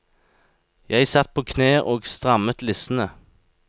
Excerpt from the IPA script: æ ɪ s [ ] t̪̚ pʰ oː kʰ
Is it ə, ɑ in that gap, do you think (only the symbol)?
ɑ